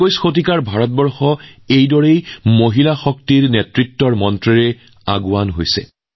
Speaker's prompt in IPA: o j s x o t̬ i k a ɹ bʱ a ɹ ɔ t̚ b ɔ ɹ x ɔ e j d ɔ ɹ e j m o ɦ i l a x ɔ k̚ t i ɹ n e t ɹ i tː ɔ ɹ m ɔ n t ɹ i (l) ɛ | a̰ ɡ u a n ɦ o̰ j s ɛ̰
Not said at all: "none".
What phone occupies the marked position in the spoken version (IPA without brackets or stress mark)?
ɹ